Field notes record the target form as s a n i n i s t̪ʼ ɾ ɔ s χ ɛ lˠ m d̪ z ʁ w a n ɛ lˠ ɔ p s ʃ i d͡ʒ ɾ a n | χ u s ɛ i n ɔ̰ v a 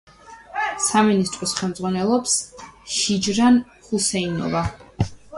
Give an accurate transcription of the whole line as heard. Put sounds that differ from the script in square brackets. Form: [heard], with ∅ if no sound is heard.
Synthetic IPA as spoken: s a [m] i n i s t̪ʼ ɾ ɔ s χ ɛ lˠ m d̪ z ʁ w a n ɛ lˠ ɔ p s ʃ i d͡ʒ ɾ a n | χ u s ɛ i n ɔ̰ v a